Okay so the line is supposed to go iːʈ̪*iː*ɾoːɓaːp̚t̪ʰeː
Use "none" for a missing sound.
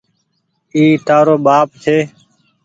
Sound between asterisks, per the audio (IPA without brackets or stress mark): aː